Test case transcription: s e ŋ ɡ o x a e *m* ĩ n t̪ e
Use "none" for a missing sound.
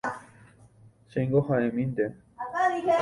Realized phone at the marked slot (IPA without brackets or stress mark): m